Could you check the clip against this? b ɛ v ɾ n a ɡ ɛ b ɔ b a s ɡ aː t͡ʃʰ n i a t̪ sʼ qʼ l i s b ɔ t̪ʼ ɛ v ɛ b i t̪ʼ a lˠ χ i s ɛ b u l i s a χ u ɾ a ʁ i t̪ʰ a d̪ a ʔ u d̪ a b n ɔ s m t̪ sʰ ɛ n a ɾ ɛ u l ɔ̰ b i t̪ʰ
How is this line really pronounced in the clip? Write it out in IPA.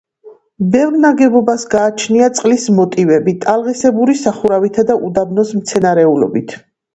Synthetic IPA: b ɛ v ɾ n a ɡ ɛ b ɔ b a s ɡ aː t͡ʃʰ n i a t̪ sʼ qʼ l i s m ɔ t̪ʼ i v ɛ b i t̪ʼ a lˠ ʁ i s ɛ b u ɾ i s a χ u ɾ a v i t̪ʰ a d̪ a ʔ u d̪ a b n ɔ s m t̪ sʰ ɛ n a ɾ ɛ u l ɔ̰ b i t̪ʰ